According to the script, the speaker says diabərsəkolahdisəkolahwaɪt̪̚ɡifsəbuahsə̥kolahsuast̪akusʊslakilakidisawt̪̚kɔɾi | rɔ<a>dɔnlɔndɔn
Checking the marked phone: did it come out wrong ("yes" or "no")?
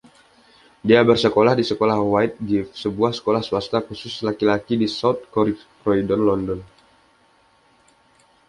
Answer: yes